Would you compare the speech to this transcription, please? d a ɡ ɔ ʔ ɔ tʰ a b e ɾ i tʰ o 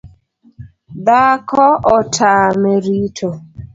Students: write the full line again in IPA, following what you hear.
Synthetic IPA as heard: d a k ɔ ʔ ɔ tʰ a m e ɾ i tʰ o